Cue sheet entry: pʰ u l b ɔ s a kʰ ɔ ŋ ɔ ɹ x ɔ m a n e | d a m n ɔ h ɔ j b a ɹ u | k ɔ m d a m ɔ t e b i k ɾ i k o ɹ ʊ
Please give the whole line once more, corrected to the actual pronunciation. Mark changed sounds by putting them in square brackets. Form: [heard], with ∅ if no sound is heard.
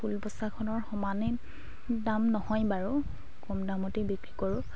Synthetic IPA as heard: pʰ u l b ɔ s a kʰ ɔ [n] ɔ ɹ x ɔ m a n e | d a m n ɔ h ɔ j b a ɹ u | k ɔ m d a m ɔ t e b i k [ɹ] i k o ɹ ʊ